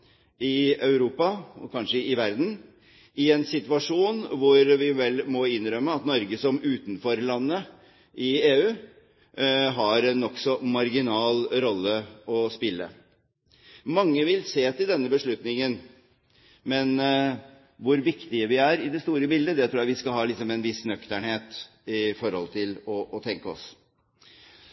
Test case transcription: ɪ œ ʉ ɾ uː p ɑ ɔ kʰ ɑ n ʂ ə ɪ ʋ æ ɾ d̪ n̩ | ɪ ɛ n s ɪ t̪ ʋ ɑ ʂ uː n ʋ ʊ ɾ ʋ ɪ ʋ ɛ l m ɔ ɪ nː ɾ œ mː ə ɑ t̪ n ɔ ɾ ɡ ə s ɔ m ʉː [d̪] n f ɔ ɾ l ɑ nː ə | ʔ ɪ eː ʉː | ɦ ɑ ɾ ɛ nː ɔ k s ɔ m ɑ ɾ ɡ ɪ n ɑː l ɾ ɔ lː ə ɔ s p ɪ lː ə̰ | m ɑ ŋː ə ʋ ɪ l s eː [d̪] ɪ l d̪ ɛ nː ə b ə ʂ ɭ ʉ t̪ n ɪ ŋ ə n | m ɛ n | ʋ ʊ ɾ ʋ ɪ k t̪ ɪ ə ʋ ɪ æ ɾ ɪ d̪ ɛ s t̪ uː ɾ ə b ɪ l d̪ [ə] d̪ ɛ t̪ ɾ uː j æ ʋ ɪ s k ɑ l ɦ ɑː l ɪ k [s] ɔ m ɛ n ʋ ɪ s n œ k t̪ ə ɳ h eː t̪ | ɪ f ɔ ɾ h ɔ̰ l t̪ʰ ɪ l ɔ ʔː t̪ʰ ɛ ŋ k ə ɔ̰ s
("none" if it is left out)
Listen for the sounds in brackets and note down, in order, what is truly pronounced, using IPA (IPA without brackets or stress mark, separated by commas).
t̪, t̪, ə, s